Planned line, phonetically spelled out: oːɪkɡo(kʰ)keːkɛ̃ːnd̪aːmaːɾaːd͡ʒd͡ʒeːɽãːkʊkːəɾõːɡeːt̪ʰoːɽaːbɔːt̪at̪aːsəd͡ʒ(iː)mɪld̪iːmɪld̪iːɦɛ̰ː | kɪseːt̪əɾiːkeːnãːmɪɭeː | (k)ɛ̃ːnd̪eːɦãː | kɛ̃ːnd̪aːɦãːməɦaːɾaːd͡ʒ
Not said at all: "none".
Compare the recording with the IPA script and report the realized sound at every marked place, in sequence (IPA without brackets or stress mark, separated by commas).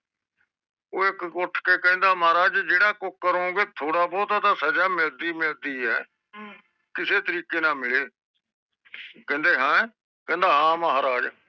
ʈʰ, aː, k